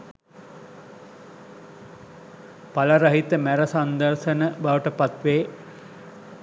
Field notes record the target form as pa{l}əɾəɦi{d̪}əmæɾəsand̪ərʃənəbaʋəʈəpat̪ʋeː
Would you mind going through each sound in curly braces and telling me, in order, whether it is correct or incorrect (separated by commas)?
correct, incorrect